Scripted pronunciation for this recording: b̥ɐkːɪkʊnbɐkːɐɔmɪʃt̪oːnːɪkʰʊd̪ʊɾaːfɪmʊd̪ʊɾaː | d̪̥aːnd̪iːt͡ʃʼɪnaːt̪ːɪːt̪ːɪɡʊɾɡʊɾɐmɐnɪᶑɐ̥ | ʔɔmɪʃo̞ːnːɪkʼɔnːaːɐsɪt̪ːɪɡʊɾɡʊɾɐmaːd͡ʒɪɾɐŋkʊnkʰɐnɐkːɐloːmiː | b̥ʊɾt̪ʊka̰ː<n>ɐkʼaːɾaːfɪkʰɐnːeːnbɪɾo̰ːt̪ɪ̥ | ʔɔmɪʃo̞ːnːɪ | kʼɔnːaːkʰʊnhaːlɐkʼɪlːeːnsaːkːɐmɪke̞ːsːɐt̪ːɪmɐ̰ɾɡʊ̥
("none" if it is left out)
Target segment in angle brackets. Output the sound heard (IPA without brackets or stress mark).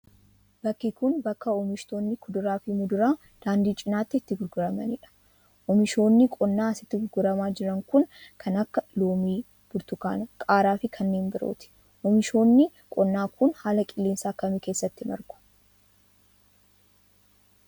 n